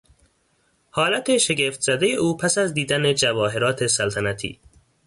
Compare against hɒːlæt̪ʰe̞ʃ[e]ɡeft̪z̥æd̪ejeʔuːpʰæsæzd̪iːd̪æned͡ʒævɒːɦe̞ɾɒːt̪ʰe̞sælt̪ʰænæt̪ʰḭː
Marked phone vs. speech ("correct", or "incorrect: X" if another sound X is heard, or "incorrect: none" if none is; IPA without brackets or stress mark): correct